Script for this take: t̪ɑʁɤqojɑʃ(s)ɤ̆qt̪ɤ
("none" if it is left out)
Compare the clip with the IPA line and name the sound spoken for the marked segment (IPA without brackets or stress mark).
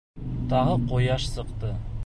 s